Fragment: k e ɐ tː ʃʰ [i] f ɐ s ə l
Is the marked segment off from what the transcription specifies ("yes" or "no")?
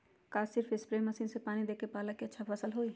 yes